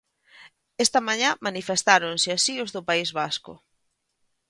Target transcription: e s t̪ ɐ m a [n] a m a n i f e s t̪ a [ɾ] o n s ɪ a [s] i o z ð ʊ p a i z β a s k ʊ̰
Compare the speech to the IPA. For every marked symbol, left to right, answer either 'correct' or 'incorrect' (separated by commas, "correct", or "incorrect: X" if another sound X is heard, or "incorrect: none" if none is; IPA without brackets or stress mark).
incorrect: ɲ, correct, correct